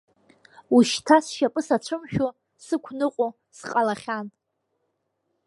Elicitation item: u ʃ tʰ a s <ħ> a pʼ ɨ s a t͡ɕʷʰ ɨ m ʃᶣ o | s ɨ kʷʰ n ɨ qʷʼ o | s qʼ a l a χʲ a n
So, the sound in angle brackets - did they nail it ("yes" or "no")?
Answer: no